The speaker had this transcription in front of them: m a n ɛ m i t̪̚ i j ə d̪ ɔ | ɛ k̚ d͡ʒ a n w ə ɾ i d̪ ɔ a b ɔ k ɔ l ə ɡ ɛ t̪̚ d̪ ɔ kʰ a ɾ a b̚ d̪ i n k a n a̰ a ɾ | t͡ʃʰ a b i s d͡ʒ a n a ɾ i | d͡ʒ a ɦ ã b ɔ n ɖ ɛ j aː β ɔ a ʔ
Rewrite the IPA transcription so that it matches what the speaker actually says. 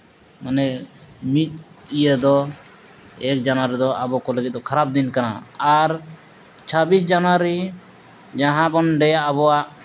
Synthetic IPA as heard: m a n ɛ m i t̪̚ i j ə d̪ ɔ | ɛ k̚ d͡ʒ a n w a ɾ i d̪ ɔ a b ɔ k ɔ l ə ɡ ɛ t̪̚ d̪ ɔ kʰ a ɾ a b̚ d̪ i n k a n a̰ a ɾ | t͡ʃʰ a b i s d͡ʒ a n a ɾ i | d͡ʒ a ɦ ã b ɔ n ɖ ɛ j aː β ɔ a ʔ